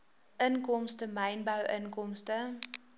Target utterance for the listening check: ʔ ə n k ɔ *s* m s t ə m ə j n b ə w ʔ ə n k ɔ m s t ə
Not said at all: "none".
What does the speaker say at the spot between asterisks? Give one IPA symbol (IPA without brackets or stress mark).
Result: none